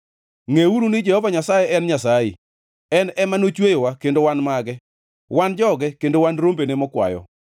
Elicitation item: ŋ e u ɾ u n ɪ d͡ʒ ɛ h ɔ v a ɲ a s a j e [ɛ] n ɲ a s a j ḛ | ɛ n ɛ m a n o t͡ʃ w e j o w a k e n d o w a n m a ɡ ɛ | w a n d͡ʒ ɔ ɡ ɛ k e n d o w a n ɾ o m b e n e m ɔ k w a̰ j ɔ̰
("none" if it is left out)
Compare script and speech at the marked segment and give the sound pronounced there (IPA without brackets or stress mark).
ɛ